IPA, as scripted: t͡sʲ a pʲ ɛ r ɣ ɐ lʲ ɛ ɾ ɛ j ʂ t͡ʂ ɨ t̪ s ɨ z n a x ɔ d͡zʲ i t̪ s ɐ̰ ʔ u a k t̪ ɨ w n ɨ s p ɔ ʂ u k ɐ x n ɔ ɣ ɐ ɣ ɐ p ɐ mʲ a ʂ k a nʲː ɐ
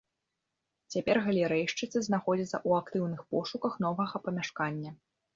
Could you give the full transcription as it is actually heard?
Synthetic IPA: t͡sʲ a pʲ ɛ r ɣ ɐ lʲ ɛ ɾ ɛ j ʂ t͡ʂ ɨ t̪ s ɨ z n a x ɔ d͡zʲ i t̪ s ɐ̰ ʔ u a k t̪ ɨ w n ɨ x p ɔ ʂ u k ɐ x n ɔ v ɐ ɣ ɐ p ɐ mʲ a ʂ k a nʲː ɐ